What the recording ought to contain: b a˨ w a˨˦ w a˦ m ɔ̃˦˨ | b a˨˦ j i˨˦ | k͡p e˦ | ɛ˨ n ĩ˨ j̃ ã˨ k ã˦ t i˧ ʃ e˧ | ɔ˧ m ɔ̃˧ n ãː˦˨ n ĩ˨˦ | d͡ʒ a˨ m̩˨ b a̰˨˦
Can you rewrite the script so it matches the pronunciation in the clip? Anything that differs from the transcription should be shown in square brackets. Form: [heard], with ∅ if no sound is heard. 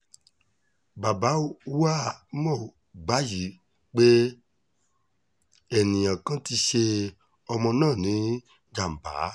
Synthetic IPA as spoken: b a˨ [b] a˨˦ w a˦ m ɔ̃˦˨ | [ɡ͡b] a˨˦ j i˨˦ | k͡p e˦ | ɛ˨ n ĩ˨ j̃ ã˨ k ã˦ t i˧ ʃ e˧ | ɔ˧ m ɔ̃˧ n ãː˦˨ n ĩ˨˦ | d͡ʒ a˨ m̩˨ b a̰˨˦